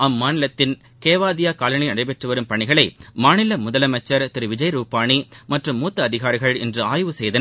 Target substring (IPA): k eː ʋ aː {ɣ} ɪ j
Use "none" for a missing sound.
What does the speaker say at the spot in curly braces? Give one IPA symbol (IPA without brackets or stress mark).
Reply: ð